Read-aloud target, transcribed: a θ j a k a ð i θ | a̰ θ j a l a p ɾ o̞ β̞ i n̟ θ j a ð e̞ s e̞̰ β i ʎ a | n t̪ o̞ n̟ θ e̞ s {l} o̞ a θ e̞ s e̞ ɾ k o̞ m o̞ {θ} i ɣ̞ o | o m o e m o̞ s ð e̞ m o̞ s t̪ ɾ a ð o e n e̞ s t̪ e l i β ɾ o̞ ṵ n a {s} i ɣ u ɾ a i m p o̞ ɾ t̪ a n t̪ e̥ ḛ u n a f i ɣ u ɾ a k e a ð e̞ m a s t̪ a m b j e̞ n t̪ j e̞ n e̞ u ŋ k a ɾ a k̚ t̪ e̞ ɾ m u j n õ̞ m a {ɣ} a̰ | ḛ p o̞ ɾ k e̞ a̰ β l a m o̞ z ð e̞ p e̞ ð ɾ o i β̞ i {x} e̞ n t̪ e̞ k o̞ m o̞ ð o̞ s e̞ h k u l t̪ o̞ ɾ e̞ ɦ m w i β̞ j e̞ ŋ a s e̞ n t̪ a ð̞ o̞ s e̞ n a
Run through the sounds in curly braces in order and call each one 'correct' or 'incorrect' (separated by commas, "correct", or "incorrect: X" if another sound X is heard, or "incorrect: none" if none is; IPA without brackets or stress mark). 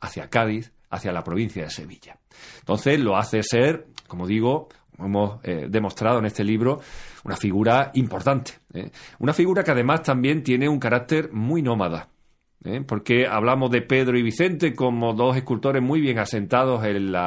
correct, incorrect: ð, incorrect: f, incorrect: ð, incorrect: θ